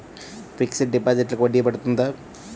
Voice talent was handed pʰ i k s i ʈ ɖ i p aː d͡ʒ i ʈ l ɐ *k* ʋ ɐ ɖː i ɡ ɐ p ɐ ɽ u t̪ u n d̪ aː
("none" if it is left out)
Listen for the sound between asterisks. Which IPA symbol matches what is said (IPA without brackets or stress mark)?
k